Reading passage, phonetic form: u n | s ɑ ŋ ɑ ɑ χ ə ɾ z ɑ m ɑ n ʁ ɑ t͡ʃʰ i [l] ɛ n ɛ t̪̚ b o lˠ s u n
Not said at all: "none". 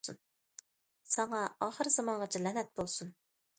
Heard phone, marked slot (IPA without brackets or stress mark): l